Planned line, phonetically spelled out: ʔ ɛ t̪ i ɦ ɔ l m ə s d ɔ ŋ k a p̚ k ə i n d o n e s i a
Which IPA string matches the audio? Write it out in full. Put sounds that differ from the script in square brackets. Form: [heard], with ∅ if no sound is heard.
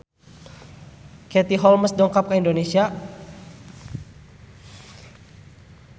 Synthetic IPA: [k] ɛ t̪ i ɦ ɔ l m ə s d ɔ ŋ k a p̚ k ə i n d o n e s i a